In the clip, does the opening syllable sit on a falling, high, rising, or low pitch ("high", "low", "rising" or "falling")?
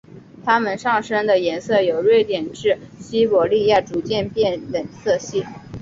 high